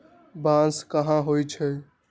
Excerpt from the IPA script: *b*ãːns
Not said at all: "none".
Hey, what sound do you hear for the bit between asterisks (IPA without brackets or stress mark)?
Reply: b